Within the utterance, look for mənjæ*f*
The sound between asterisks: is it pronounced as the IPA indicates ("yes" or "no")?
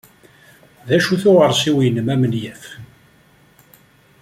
yes